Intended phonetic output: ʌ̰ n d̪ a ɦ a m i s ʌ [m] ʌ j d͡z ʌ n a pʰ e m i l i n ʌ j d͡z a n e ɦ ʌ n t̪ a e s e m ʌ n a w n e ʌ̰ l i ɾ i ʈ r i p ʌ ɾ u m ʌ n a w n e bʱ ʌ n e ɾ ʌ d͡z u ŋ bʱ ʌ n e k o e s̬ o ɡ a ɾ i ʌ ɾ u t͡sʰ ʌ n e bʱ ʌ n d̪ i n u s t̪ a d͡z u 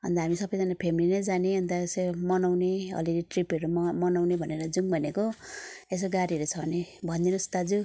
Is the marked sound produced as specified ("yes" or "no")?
no